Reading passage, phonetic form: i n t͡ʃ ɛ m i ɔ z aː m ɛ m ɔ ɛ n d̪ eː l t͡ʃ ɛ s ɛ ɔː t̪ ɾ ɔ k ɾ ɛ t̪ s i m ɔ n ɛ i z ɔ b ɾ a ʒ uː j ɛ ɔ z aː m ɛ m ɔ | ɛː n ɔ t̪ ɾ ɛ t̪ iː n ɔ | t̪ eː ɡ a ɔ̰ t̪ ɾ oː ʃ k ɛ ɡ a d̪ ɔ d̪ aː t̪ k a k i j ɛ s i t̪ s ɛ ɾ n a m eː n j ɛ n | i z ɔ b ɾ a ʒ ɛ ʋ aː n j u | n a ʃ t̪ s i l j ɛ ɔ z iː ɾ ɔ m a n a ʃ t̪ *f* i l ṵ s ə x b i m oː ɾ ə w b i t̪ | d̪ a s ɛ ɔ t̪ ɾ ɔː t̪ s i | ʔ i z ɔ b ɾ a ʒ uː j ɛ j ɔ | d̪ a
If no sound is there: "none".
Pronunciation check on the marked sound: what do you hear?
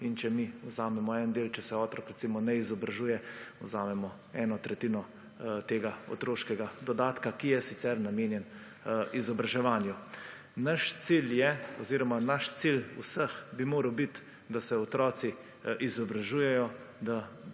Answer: s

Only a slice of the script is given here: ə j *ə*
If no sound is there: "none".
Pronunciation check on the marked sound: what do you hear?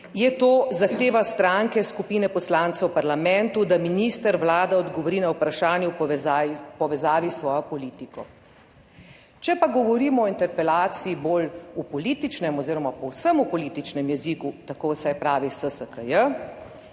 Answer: ə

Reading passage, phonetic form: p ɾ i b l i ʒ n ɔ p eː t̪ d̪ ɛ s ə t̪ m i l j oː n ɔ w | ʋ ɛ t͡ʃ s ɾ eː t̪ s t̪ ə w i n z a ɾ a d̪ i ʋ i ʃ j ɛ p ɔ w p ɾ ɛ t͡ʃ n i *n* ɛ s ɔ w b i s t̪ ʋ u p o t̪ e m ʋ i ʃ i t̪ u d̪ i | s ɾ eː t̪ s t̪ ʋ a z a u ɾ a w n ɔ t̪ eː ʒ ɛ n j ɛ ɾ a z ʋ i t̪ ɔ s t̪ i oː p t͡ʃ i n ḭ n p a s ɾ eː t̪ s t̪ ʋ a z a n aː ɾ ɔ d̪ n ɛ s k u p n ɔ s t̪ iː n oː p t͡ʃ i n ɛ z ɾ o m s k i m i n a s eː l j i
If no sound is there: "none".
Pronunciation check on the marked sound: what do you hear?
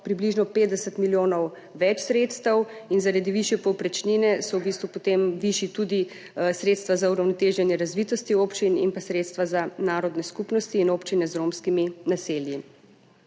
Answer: n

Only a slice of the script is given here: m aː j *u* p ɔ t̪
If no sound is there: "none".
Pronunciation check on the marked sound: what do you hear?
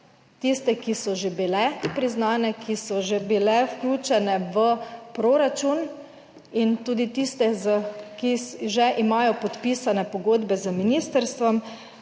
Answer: ɔ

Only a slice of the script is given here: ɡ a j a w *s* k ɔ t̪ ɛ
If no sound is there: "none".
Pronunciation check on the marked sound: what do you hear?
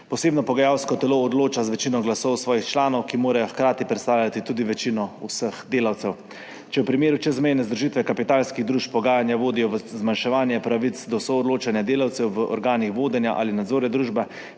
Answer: s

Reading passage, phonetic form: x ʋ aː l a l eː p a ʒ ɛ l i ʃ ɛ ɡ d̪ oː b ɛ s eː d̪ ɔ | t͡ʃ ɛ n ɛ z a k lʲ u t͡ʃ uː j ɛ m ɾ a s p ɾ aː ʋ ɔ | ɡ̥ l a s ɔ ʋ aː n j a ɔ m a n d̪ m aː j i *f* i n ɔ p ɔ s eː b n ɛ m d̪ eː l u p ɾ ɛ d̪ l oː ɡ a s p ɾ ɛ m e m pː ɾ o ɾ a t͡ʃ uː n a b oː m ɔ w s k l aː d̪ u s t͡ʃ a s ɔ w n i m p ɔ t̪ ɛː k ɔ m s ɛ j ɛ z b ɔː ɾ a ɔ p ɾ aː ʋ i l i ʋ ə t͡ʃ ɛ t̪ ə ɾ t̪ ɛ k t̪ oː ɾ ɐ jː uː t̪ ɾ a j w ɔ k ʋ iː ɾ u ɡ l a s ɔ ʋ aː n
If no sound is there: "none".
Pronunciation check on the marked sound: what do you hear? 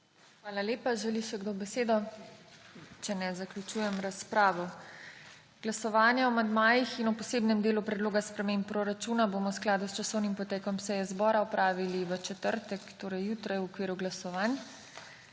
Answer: x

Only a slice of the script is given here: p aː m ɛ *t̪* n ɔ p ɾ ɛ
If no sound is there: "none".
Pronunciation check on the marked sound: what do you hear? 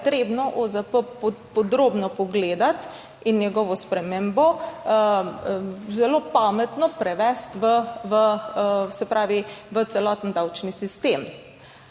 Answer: t̪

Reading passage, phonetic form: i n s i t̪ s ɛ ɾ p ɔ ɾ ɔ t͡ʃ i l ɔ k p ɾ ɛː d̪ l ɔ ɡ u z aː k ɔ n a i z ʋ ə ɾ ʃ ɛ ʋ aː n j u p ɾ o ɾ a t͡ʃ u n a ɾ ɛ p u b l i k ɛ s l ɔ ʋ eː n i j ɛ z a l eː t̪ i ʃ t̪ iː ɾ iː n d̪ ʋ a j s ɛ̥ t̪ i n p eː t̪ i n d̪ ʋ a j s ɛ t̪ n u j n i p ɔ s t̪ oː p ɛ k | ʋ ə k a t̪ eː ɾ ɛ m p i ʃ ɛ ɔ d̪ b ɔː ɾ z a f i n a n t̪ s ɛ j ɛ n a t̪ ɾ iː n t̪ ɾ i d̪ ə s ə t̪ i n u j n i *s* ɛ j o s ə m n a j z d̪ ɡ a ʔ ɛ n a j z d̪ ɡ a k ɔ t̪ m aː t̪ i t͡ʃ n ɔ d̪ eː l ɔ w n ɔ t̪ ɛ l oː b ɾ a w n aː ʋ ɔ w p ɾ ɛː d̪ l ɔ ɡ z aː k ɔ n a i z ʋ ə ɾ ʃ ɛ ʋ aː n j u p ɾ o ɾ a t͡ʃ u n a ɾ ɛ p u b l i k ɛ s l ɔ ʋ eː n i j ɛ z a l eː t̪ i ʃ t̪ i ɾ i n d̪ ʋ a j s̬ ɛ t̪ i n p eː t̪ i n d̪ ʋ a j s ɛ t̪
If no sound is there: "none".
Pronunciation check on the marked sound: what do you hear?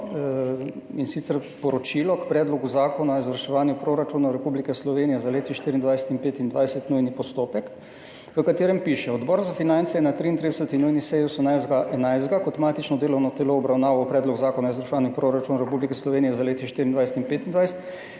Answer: s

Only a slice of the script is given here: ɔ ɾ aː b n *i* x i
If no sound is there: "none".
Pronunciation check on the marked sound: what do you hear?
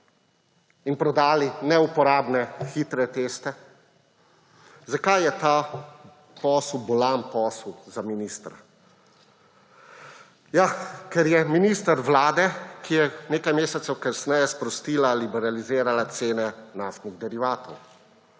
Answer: ɛ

